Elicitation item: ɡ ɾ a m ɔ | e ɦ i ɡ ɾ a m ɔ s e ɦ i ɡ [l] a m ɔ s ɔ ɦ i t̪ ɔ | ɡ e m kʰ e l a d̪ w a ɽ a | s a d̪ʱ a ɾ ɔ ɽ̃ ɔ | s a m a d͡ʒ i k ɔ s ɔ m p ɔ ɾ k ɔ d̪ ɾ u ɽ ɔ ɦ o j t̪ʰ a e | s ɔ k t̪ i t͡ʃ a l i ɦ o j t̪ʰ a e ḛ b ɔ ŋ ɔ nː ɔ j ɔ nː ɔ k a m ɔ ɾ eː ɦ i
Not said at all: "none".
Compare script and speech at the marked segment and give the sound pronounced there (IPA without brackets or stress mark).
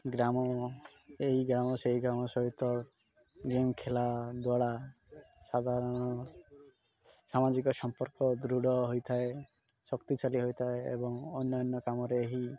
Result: ɾ